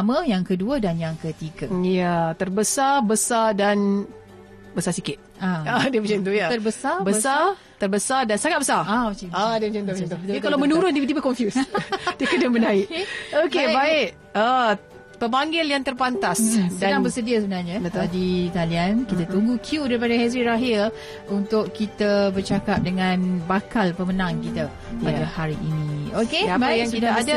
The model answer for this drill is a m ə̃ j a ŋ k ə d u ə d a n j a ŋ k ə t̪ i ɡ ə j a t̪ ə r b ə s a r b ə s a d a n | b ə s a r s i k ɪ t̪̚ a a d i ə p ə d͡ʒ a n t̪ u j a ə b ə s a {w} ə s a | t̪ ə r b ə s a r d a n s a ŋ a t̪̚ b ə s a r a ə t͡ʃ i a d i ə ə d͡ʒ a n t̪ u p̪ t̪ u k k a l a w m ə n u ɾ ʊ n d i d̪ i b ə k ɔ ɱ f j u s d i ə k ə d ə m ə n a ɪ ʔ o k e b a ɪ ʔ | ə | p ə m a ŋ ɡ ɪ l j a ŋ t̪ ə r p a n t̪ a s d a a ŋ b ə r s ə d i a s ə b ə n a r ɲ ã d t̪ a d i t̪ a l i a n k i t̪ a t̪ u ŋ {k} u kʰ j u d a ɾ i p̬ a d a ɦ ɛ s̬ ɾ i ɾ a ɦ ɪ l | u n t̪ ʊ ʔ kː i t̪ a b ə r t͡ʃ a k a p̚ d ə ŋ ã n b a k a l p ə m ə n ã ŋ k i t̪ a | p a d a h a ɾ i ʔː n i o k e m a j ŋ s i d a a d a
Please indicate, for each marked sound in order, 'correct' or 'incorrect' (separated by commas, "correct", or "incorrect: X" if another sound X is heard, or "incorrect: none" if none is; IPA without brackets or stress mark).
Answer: incorrect: b, incorrect: ɡ